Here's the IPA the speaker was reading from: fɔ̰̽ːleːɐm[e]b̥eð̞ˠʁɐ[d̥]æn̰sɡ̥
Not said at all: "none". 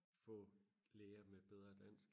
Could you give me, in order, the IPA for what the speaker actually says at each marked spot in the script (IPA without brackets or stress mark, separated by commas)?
e, d̥